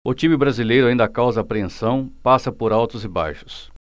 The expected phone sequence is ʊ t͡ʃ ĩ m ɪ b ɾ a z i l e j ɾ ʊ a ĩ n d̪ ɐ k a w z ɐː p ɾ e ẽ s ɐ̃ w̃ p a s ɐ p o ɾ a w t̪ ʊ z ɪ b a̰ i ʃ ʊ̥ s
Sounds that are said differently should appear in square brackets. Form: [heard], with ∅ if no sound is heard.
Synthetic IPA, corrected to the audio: ʊ t͡ʃ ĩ m ɪ b ɾ a z i l e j ɾ ʊ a ĩ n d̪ ɐ k a w z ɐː p ɾ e ẽ s ɐ̃ w̃ p a s ɐ p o ɾ a w t̪ ʊ z ɪ b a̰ [j] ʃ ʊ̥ s